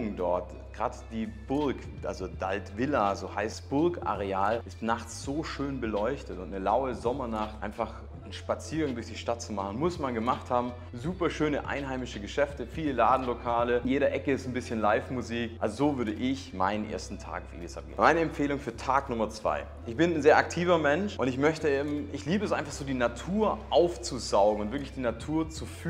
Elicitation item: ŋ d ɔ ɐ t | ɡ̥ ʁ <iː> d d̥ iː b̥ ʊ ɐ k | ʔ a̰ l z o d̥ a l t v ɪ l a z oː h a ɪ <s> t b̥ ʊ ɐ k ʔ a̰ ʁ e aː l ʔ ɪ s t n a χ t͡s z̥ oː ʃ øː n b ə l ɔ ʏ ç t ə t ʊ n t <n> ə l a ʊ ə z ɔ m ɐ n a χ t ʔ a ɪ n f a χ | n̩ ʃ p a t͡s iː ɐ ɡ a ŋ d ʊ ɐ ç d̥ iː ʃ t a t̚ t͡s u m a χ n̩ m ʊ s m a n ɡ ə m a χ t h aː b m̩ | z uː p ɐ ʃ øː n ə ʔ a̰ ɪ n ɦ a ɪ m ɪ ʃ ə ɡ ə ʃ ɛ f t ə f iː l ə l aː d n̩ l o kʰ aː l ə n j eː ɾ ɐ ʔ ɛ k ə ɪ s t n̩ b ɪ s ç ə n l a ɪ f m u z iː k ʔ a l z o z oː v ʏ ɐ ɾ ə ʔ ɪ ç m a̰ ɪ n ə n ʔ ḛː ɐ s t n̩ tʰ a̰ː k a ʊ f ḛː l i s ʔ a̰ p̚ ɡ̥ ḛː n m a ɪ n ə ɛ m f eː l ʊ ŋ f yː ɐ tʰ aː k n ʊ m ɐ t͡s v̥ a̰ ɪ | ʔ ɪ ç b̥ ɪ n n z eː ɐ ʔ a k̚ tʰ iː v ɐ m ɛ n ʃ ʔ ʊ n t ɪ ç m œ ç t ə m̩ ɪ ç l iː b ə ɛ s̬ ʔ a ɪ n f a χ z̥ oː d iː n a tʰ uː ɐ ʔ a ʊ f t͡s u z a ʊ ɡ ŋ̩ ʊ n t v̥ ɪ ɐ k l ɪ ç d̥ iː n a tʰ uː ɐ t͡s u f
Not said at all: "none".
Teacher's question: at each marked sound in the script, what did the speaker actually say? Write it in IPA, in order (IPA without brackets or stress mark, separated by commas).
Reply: aː, s, n